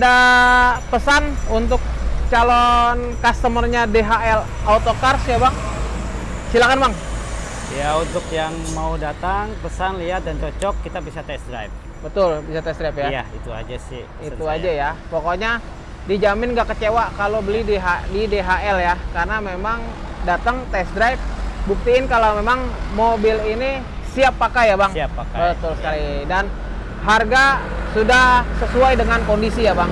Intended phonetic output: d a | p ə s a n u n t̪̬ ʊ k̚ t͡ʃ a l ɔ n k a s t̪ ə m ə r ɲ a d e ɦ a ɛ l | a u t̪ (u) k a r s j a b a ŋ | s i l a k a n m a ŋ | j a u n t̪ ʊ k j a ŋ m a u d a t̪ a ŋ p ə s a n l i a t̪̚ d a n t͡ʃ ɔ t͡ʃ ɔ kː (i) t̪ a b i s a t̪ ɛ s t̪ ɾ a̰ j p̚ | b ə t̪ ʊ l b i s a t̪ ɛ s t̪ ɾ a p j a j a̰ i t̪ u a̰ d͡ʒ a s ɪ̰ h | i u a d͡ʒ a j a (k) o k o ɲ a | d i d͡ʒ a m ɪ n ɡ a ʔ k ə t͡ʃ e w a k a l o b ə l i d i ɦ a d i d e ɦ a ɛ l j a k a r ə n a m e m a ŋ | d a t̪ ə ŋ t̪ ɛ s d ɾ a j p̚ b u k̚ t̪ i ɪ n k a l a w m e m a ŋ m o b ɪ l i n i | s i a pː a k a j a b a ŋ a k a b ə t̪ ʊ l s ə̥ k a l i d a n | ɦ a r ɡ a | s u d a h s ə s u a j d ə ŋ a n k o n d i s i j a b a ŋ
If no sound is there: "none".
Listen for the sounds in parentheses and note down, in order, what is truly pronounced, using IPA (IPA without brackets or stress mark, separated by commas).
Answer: o, i, p